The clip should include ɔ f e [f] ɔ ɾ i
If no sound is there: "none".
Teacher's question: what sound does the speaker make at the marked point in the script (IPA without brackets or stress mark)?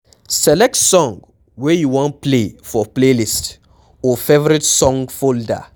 v